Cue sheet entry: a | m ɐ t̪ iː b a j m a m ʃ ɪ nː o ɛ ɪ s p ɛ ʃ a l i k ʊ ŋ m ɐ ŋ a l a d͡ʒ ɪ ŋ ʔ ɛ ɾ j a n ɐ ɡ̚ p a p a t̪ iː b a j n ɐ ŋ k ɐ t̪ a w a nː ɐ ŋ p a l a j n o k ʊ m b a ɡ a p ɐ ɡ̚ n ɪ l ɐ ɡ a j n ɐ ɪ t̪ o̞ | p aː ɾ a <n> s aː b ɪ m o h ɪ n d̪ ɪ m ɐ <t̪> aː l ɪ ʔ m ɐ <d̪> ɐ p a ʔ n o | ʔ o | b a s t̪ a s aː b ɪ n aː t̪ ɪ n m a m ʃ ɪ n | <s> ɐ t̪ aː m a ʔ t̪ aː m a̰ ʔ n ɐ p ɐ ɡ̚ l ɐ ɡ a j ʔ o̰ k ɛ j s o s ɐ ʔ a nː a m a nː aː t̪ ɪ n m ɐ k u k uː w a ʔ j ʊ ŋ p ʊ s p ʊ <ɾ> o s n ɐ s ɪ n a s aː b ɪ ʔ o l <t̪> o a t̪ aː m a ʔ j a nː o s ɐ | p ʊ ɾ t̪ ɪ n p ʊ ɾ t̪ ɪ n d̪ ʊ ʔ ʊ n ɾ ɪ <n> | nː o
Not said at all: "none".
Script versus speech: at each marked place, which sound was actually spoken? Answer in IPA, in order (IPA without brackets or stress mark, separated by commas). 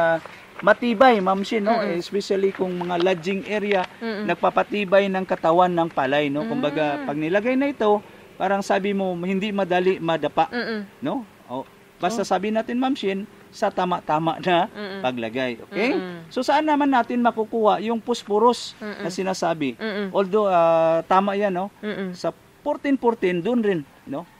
ŋ, d̪, d̪, s, ɾ, d̪, n